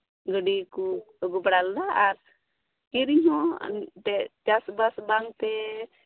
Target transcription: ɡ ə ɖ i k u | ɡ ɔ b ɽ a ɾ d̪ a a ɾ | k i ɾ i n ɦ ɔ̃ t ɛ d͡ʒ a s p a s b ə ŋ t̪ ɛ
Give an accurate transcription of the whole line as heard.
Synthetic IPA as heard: ɡ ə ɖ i k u | ɡ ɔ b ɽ a l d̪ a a ɾ | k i ɾ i ɲ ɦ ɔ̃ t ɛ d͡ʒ a s b a s b a ŋ t̪ ɛ

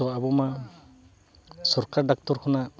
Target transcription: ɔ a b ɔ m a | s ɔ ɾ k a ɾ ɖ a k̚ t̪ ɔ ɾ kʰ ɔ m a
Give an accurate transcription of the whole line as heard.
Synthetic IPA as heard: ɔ a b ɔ m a | s ɔ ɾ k a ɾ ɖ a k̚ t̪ ɔ ɾ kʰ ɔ n a

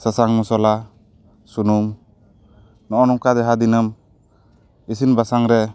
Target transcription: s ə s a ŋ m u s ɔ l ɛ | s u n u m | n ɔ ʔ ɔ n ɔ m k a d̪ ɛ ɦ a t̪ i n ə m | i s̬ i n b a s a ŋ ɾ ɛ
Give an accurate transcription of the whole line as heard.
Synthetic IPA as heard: s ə s a ŋ m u s ɔ l a | s u n u m | n ɔ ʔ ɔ n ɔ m k a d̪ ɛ ɦ a d̪ i n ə m | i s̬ i n b a s a ŋ ɾ ɛ

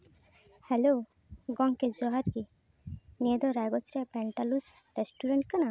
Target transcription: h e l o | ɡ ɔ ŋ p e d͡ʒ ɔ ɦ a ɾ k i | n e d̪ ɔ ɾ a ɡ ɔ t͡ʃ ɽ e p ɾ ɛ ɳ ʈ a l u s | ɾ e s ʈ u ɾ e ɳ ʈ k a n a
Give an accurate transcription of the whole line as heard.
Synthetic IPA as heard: h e l o | ɡ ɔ ŋ k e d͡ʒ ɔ ɦ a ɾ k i | n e d̪ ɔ ɾ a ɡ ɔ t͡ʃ ɾ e p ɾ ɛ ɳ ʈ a l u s | ɾ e s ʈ u ɾ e ɳ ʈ k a n a

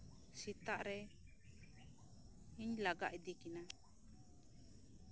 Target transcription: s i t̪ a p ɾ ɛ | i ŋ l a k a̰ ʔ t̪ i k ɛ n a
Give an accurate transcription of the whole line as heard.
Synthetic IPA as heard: s i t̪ a ʔ ɾ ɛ | i ɲ l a ɡ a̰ ʔ d̪ i k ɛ n a

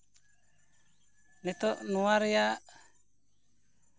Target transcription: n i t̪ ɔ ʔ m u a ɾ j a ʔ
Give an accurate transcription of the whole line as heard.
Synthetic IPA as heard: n ɛ t̪ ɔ ʔ n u a ɾ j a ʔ

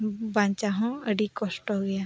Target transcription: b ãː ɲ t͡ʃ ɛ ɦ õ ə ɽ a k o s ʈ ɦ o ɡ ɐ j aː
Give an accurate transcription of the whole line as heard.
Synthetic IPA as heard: b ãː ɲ t͡ʃ a ɦ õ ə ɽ i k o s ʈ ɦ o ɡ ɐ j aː

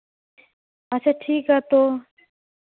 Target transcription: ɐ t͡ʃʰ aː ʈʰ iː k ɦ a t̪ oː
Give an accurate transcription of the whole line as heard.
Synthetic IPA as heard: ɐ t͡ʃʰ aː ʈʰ iː k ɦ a t̪ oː

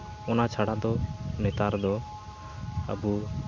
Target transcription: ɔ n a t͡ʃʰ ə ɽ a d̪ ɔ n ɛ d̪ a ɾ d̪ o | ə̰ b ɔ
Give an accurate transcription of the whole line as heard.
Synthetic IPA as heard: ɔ n a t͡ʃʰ a ɽ a d̪ ɔ n ɛ t̪ a ɾ d̪ ɔ | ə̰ b u

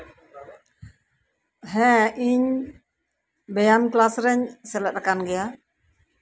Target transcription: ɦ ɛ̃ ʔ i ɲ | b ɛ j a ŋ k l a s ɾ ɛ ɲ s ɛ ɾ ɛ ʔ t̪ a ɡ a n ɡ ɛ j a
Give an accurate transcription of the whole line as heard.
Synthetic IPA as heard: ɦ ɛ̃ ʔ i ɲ | b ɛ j a m k l a s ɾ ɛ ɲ s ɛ l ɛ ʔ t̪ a k a n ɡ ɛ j a

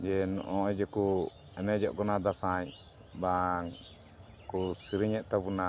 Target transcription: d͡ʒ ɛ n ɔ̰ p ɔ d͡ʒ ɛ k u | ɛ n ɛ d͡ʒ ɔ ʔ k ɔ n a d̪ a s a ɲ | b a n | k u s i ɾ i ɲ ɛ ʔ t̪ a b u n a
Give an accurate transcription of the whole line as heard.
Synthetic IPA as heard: d͡ʒ ɛ n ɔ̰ ʔ ɔ d͡ʒ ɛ k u | ɛ n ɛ d͡ʒ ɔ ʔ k ɔ n a d̪ a s a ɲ | b a ŋ | k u s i ɾ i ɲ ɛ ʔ t̪ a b u n a

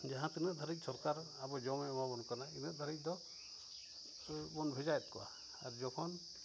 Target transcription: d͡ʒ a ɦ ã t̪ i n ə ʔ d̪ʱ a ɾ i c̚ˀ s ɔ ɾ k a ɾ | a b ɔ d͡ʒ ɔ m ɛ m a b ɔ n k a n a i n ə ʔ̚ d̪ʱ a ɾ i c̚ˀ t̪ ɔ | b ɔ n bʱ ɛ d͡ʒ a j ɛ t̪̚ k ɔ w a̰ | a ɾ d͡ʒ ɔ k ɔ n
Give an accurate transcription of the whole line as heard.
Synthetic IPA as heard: d͡ʒ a ɦ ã t̪ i n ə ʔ d̪ʱ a ɾ i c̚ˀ s ɔ ɾ k a ɾ | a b ɔ d͡ʒ ɔ m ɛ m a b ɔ n k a n a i n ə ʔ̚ d̪ʱ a ɾ i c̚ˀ d̪ ɔ | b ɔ n bʱ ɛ d͡ʒ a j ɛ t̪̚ k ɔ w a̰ | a ɾ d͡ʒ ɔ kʰ ɔ n

